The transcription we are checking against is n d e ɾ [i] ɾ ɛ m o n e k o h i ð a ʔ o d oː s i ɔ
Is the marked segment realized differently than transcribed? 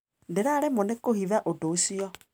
yes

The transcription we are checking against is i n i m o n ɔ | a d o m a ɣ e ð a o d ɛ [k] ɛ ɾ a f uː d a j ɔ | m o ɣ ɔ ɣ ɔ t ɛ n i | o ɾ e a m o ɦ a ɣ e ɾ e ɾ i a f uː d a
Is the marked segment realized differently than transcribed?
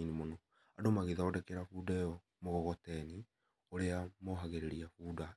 no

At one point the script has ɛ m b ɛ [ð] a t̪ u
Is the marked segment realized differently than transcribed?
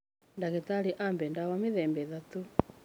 no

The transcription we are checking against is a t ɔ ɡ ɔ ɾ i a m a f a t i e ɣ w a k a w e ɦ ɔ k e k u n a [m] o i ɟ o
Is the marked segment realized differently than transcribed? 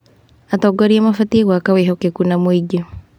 no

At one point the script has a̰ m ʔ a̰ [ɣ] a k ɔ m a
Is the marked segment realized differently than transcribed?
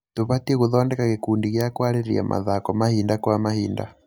yes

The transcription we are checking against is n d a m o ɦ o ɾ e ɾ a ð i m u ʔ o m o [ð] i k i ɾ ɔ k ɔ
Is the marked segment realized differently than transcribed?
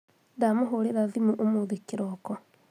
no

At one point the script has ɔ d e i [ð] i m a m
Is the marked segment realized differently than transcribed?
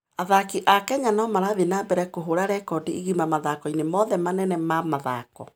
yes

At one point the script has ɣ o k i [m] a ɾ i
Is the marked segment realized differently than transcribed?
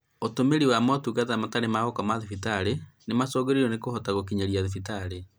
yes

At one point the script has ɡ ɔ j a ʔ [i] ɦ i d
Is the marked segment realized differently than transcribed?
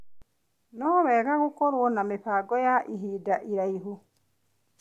no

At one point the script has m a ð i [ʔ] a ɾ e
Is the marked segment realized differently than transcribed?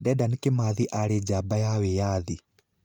no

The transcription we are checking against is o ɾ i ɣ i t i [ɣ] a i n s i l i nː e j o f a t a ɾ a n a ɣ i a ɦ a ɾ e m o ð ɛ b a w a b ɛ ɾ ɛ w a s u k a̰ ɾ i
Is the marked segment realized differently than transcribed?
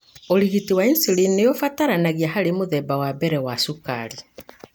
yes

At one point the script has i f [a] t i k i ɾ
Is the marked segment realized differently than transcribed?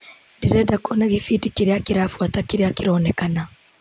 yes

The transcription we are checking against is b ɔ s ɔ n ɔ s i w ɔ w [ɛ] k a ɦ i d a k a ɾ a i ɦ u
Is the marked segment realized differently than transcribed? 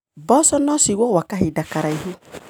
yes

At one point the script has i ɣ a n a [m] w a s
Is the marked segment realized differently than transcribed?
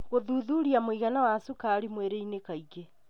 yes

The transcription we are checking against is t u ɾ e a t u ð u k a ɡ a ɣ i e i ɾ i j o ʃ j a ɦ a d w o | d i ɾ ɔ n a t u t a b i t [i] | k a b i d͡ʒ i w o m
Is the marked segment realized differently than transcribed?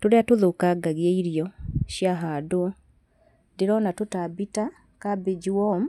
yes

